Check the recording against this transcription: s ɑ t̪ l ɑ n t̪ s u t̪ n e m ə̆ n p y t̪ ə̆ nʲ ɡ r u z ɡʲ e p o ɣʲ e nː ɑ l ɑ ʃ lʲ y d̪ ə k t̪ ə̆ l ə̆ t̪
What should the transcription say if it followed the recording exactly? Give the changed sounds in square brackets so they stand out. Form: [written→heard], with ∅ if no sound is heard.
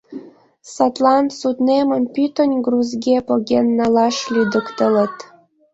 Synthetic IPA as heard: s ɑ t̪ l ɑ n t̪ s u t̪ n e m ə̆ n p y t̪ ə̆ nʲ ɡ r u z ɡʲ e p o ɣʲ e nː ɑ l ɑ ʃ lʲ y d̪ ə k t̪ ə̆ l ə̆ t̪